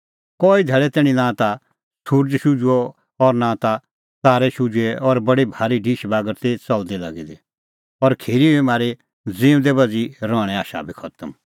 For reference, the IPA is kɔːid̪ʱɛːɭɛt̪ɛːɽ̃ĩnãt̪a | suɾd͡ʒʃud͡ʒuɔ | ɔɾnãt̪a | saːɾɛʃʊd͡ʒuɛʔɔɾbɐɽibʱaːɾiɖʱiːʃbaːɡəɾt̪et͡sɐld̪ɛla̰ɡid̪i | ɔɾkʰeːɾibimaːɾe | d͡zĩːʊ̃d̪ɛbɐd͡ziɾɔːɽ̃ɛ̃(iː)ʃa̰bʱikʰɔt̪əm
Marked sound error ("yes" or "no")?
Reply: yes